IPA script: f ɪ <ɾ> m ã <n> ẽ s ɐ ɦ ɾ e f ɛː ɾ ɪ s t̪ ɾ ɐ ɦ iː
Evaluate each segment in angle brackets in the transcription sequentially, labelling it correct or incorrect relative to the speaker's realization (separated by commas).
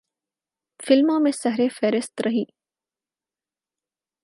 incorrect, incorrect